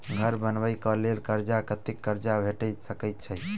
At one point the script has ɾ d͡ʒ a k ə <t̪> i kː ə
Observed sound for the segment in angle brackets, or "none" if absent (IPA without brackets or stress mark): t̪